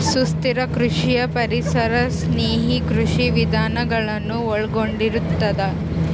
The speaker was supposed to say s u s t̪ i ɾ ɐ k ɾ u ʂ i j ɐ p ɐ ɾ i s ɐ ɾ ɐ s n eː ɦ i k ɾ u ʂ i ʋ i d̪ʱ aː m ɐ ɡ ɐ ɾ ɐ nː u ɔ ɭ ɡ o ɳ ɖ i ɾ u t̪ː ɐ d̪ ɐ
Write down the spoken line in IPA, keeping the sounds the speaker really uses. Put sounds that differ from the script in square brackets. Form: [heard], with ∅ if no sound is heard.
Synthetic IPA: s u s t̪ i ɾ ɐ k ɾ u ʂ i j ɐ p ɐ ɾ i s ɐ ɾ ɐ s n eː ɦ i k ɾ u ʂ i ʋ i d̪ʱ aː [n] ɐ ɡ ɐ [ɭ] ɐ nː u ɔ ɭ ɡ o ɳ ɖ i ɾ u t̪ː ɐ d̪ ɐ